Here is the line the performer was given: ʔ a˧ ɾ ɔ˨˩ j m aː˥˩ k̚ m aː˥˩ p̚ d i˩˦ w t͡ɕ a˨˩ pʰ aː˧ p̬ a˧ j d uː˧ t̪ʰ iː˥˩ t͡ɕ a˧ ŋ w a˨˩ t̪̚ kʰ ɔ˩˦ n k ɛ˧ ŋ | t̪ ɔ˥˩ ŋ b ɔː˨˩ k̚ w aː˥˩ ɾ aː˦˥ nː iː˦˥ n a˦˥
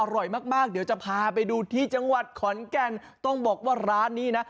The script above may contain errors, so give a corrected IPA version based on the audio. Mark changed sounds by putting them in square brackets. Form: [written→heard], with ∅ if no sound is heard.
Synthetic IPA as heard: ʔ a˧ ɾ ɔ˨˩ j m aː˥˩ k̚ m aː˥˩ [p̚→k̚] d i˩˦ w t͡ɕ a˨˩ pʰ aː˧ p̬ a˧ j d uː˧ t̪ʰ iː˥˩ t͡ɕ a˧ ŋ w a˨˩ t̪̚ kʰ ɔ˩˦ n k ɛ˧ [ŋ→n] | t̪ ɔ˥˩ ŋ b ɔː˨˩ k̚ w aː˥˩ ɾ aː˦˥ nː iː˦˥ n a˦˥